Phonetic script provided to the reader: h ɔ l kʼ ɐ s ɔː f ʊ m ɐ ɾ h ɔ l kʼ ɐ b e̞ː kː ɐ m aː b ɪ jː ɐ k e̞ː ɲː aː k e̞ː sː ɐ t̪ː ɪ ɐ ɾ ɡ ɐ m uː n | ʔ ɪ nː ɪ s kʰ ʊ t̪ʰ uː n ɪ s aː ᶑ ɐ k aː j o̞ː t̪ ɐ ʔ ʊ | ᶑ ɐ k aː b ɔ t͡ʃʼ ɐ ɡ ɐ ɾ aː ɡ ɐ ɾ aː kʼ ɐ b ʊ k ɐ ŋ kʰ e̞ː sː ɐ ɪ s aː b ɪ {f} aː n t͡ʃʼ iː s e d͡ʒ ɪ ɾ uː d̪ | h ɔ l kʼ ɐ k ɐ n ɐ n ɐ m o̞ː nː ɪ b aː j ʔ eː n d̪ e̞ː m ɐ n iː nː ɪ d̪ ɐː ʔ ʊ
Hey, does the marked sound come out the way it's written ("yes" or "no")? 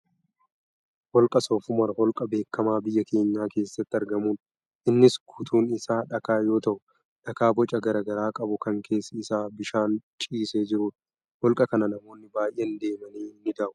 no